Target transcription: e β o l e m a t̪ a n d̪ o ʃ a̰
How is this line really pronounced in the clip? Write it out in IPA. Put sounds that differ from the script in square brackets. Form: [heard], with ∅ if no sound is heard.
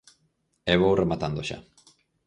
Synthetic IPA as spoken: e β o [r] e m a t̪ a n d̪ o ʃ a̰